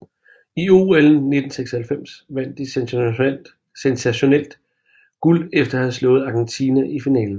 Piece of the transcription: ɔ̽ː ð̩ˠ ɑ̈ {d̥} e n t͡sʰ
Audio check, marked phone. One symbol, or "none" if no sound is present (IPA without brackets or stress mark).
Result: ɡ̥